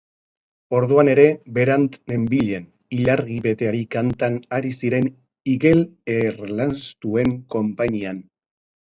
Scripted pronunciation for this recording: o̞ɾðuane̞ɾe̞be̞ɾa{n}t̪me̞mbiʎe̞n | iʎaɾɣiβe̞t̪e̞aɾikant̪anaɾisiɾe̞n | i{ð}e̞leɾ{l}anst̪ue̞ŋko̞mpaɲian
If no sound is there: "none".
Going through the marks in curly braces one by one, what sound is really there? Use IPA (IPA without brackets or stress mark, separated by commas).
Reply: n, ɣ, l